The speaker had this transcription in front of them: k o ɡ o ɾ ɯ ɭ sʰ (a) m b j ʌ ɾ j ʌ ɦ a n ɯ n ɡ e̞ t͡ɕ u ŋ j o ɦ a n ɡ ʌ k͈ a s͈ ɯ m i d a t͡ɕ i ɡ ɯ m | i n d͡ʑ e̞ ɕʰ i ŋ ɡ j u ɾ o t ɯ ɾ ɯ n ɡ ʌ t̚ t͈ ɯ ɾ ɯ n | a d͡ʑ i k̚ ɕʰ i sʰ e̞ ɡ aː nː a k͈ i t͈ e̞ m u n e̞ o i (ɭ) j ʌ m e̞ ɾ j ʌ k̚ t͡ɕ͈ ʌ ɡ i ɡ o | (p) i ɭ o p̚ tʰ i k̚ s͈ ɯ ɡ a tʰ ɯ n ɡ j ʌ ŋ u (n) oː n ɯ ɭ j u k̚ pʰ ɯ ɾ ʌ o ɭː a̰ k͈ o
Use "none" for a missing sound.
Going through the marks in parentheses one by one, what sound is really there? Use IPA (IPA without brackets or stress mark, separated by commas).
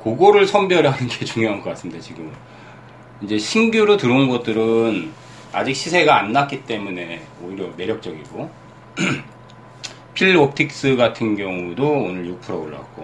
ʌ, ɾ, pʰ, d